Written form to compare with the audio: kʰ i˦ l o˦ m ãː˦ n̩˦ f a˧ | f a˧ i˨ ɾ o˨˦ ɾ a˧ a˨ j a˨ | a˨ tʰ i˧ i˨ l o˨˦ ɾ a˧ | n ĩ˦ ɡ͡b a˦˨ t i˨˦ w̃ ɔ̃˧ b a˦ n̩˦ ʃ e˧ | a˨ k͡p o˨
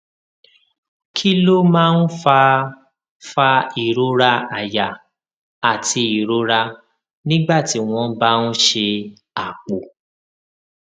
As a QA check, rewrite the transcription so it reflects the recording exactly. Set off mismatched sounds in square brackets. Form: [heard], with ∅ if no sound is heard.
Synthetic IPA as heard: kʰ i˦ l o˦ m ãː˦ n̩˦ f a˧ | f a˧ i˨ ɾ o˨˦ ɾ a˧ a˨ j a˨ | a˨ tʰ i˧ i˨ [ɾ] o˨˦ ɾ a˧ | n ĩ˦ ɡ͡b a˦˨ t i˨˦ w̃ ɔ̃˧ b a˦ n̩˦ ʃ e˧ | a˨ k͡p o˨